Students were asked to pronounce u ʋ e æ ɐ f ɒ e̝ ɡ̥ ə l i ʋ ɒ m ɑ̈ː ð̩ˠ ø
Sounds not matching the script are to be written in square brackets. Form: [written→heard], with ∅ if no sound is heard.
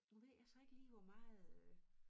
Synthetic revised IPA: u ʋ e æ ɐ [f→s] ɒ e̝ ɡ̥ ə l [i→iː] ʋ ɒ m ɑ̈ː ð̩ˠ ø